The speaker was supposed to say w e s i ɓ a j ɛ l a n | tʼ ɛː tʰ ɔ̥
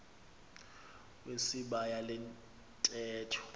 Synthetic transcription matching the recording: w e s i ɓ a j a l ɛ n | tʼ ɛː tʰ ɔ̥